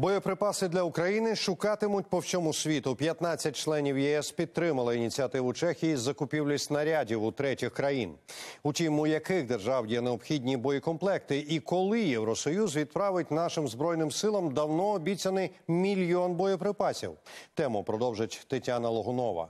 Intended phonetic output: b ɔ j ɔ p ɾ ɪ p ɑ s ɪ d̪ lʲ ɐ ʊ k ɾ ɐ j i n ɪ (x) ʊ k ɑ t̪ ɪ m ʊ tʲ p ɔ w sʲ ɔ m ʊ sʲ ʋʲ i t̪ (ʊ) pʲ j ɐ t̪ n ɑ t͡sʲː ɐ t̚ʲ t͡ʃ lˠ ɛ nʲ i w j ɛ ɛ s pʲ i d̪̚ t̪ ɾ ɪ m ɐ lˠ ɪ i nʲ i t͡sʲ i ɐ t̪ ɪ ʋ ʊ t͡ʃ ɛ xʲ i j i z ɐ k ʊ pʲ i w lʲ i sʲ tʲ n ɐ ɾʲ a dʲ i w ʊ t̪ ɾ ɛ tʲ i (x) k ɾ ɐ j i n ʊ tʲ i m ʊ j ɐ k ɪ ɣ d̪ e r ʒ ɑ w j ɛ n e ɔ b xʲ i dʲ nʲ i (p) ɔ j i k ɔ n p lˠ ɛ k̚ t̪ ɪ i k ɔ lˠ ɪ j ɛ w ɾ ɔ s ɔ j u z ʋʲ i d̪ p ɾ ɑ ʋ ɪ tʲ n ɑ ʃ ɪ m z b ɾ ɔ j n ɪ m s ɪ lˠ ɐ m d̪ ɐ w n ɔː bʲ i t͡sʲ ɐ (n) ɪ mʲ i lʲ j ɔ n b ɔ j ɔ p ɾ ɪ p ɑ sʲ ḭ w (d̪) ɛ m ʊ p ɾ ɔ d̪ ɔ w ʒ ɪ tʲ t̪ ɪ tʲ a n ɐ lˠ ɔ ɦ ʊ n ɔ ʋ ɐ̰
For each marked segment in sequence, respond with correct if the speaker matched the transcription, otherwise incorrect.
incorrect: ʃ, correct, correct, incorrect: b, correct, incorrect: t̪

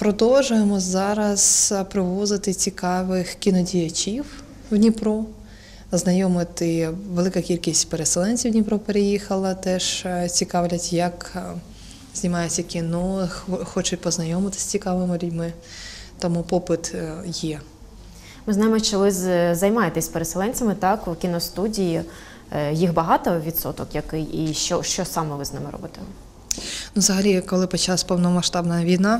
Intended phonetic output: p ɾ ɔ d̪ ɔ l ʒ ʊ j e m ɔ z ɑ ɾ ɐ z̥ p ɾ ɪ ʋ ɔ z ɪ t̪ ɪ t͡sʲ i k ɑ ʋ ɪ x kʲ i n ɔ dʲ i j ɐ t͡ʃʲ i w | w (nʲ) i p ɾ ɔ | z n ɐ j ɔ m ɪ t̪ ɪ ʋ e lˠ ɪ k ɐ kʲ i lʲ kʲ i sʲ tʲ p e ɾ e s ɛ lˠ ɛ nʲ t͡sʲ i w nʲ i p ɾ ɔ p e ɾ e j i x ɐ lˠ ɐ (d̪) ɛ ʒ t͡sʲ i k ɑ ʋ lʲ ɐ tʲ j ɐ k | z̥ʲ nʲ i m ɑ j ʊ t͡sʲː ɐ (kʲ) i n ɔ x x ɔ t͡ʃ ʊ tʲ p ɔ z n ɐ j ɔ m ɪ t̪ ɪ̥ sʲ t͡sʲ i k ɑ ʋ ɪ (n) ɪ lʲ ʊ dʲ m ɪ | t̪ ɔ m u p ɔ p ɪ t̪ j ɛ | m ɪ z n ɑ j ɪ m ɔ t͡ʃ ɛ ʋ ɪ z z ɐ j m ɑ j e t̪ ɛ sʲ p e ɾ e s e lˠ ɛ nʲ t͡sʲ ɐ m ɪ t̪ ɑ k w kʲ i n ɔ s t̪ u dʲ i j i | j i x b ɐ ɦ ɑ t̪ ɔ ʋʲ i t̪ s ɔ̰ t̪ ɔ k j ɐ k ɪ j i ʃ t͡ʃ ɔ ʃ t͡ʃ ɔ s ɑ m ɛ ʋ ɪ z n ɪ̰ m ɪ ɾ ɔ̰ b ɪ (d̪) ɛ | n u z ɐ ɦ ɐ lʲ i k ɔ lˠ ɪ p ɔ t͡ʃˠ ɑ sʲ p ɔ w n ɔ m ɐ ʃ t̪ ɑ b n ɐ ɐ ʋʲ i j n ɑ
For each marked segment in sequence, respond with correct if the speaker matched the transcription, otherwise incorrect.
correct, incorrect: t̪, correct, incorrect: m, incorrect: t̪

